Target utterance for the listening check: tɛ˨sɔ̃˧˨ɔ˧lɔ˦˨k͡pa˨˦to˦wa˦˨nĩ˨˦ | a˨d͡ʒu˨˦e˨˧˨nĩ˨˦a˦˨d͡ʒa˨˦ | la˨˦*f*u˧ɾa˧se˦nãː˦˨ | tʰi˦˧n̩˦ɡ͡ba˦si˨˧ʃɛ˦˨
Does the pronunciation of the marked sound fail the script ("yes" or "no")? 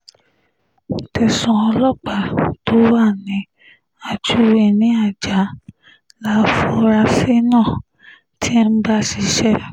no